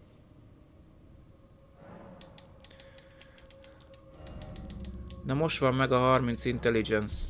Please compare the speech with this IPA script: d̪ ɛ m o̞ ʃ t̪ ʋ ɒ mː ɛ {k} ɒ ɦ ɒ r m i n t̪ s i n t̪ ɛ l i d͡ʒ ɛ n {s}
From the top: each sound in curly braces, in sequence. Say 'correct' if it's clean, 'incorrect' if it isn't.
incorrect: ɡ, correct

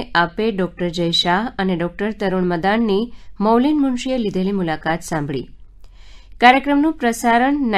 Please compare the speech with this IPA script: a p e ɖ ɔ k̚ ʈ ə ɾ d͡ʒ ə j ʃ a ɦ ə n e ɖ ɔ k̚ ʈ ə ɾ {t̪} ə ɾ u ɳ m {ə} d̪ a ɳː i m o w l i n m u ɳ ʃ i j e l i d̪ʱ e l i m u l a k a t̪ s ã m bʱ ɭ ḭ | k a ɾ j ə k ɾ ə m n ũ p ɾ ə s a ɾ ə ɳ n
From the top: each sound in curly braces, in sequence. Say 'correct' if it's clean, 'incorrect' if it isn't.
correct, correct

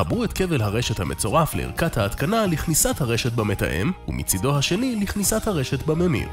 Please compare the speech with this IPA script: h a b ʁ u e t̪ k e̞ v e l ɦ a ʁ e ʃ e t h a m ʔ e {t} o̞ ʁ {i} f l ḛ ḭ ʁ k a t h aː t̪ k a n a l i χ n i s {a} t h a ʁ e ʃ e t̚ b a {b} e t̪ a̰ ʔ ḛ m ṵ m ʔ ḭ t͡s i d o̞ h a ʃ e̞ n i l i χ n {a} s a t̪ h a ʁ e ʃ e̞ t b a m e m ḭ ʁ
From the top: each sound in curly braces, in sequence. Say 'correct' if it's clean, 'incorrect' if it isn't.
incorrect: t͡s, incorrect: a, correct, incorrect: m, incorrect: i

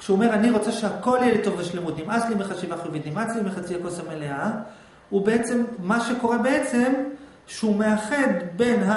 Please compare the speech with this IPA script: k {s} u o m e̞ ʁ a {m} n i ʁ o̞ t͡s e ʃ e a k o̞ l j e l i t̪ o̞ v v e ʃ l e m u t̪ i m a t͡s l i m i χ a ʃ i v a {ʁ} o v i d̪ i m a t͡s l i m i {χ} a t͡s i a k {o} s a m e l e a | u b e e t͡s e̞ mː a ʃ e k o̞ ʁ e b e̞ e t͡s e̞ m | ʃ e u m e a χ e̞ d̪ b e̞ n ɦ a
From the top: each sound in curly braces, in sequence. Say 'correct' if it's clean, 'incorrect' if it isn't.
incorrect: ʃ, incorrect: none, incorrect: χ, correct, correct

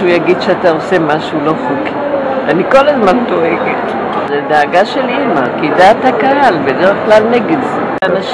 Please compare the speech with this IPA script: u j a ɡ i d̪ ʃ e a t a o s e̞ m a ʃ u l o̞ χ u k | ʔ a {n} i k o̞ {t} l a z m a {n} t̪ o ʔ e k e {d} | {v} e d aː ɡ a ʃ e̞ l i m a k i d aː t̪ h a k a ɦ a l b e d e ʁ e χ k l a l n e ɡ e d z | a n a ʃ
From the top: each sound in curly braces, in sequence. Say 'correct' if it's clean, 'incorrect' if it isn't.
correct, incorrect: none, correct, incorrect: t, incorrect: z

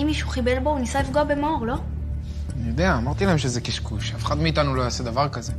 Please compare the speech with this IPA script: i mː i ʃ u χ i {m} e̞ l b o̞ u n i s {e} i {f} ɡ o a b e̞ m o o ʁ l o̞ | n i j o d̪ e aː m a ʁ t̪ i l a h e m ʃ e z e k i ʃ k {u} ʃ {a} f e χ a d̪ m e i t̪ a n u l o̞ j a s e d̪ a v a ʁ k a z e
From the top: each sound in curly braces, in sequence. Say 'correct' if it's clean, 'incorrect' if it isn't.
incorrect: b, incorrect: a, correct, correct, correct

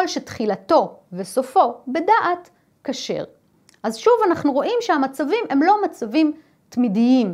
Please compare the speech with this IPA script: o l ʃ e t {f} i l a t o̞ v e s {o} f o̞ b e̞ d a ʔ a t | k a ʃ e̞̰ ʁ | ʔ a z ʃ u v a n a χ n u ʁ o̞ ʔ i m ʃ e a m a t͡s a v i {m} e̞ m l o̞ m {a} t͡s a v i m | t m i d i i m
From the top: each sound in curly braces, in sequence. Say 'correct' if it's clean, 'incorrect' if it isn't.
incorrect: χ, correct, correct, correct

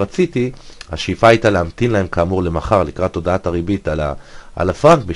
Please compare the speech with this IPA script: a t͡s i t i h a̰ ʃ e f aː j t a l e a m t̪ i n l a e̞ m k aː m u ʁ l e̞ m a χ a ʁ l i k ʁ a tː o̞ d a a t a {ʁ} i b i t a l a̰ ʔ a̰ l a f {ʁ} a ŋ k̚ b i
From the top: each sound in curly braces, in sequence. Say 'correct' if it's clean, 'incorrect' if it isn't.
correct, correct

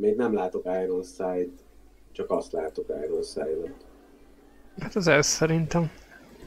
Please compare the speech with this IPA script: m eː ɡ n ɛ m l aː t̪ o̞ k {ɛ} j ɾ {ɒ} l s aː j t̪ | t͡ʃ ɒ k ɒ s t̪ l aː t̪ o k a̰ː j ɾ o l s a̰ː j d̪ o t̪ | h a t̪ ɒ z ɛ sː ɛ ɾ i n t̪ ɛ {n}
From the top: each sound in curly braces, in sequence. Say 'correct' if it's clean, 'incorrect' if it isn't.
incorrect: a, incorrect: o, incorrect: m

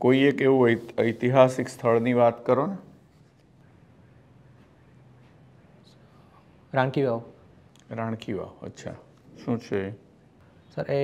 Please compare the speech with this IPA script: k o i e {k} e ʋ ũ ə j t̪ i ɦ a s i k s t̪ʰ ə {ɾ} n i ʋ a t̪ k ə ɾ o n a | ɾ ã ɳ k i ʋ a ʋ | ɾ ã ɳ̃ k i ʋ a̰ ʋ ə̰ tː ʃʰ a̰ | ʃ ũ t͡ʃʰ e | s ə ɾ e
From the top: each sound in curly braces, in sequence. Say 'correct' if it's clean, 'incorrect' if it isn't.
correct, incorrect: ɭ

